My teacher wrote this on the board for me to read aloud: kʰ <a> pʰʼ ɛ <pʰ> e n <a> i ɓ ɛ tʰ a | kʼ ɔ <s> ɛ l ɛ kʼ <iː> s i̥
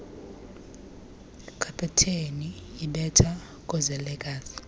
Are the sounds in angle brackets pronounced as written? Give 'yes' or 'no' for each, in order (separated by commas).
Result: yes, no, no, no, no